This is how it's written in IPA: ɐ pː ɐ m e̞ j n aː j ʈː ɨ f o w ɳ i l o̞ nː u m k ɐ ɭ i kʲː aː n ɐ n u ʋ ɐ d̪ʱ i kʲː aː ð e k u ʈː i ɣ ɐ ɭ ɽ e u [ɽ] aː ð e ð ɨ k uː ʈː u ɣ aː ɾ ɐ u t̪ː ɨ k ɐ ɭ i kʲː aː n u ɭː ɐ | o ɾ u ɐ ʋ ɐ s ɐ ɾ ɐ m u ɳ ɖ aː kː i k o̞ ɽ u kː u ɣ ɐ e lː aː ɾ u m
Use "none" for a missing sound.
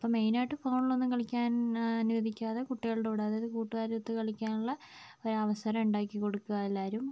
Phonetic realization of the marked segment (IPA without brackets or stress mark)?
ɽ